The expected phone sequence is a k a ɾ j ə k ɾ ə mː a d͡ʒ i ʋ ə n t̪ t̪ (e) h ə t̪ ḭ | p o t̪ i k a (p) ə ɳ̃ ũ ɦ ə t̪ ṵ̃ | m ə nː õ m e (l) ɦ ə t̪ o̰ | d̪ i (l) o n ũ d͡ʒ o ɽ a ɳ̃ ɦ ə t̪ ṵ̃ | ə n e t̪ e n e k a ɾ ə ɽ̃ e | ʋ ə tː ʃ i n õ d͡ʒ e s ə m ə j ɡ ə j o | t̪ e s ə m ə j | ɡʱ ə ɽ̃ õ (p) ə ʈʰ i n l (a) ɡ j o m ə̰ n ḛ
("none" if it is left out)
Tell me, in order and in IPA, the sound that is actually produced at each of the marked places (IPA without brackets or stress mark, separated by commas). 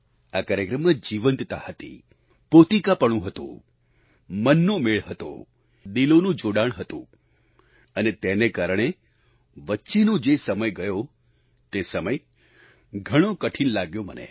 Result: a, p, ɭ, l, k, a